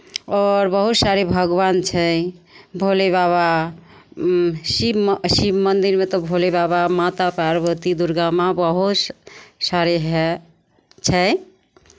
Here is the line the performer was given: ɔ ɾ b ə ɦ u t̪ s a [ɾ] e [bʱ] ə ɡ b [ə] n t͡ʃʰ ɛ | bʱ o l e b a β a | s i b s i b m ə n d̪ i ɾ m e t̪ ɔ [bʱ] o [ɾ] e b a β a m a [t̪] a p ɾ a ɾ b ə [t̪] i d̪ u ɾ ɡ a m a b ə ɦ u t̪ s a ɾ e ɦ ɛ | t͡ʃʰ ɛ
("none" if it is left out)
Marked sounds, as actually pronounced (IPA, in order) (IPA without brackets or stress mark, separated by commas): ɾ, bʱ, a, bʱ, l, t̪, t̪